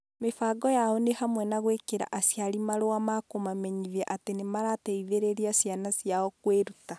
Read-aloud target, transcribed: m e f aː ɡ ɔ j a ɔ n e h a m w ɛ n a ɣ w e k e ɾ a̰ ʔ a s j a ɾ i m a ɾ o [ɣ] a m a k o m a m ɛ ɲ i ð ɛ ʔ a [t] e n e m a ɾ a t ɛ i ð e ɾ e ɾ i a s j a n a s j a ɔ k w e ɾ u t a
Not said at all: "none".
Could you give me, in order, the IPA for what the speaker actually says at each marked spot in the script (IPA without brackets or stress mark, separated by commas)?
none, t